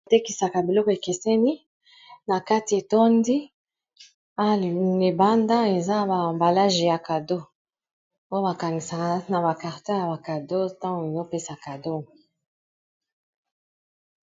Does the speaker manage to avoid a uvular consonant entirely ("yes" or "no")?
no